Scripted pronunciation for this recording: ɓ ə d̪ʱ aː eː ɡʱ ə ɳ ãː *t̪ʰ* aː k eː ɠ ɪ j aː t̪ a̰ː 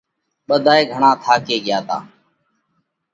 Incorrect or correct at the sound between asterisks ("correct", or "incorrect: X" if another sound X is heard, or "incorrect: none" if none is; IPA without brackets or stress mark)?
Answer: correct